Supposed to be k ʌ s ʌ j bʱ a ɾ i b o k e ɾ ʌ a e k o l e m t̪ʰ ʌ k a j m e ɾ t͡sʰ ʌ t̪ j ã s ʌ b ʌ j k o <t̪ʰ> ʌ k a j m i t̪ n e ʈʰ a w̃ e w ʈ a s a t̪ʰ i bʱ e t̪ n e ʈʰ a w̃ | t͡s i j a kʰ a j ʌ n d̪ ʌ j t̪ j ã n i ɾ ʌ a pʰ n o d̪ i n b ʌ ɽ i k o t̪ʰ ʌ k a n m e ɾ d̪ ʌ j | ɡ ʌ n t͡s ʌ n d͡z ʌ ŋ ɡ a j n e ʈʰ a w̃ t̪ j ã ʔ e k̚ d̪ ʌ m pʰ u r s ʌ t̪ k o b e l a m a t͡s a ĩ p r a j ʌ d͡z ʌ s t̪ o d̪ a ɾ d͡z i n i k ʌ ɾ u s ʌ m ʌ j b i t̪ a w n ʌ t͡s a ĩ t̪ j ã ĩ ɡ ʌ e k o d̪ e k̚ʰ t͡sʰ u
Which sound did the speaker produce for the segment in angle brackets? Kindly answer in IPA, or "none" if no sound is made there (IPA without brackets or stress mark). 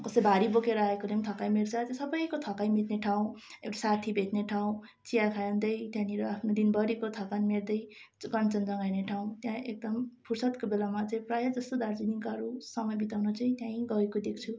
t̪ʰ